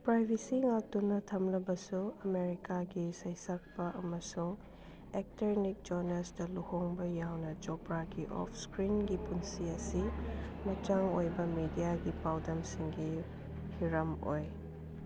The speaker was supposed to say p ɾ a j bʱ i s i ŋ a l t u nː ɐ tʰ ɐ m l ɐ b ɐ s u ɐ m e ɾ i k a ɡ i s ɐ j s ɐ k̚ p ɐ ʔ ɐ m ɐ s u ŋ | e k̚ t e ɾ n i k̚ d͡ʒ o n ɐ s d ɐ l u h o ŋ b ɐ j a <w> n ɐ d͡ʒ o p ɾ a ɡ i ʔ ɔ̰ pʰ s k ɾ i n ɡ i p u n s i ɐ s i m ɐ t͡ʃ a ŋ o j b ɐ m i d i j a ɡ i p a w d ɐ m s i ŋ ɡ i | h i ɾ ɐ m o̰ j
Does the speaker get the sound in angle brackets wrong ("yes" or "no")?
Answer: no